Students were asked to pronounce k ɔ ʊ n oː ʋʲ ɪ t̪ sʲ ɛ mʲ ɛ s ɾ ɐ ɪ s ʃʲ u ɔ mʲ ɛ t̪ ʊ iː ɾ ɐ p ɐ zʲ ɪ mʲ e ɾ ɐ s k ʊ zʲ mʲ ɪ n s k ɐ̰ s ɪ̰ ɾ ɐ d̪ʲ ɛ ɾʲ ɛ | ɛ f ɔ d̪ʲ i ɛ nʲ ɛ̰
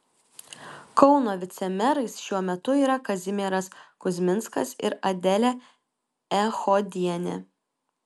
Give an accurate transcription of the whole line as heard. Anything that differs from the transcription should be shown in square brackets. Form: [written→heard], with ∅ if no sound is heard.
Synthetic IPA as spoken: k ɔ ʊ n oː ʋʲ ɪ t̪ sʲ ɛ mʲ ɛ [s→∅] ɾ ɐ ɪ s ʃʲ u ɔ mʲ ɛ t̪ ʊ iː ɾ ɐ [p→k] ɐ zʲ ɪ mʲ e ɾ ɐ s k ʊ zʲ mʲ ɪ n s k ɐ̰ s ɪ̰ ɾ ɐ d̪ʲ ɛ [ɾʲ→lʲ] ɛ | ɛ [f→x] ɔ d̪ʲ i ɛ nʲ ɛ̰